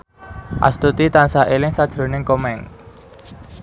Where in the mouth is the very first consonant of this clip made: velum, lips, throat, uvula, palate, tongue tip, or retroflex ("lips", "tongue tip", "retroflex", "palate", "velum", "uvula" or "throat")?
throat